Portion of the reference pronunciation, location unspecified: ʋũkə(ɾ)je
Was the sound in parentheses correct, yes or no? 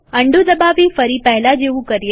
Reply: yes